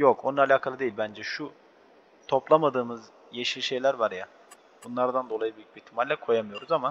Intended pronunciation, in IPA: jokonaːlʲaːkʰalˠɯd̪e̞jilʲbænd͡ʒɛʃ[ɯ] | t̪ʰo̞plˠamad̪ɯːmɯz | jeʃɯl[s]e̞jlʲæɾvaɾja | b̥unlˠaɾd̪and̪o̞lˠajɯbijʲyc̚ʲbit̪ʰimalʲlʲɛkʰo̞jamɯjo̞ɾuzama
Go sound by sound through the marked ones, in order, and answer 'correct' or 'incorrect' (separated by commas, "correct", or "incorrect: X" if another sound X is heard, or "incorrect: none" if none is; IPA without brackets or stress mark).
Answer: incorrect: u, incorrect: ʃ